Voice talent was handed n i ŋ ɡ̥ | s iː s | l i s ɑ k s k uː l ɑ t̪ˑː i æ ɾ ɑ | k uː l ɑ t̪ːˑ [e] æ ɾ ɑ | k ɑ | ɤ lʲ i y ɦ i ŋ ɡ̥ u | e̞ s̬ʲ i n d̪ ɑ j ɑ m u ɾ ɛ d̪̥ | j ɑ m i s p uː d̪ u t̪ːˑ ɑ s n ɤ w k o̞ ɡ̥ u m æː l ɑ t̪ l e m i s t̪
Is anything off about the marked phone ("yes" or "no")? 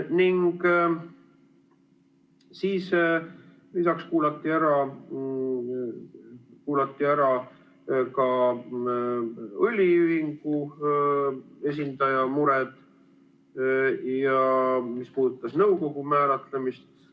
yes